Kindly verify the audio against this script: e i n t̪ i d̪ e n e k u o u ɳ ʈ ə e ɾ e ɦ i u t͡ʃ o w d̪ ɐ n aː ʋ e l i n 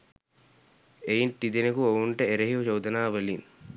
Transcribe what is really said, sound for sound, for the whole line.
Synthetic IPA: e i n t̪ i d̪ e n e k u o u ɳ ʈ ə e ɾ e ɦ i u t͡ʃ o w d̪ ɐ n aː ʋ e l i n